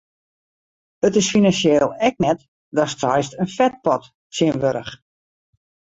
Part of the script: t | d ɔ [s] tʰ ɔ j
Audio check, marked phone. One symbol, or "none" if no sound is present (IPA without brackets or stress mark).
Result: s